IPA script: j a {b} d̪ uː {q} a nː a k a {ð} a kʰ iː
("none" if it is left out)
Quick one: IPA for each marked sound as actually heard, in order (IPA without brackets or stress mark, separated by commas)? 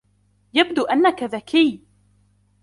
b, ʔ, ð